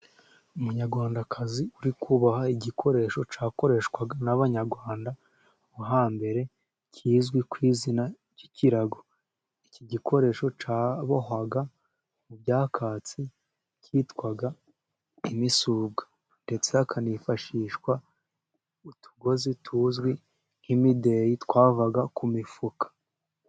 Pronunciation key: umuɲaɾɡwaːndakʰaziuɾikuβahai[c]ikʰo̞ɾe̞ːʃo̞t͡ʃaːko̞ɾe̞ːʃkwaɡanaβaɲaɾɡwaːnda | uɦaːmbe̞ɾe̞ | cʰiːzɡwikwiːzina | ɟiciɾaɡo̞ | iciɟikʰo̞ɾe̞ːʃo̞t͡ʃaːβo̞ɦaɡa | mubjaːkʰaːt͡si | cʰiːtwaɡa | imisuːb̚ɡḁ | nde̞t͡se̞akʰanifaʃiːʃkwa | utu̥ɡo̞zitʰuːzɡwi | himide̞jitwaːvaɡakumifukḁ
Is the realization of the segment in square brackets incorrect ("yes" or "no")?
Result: yes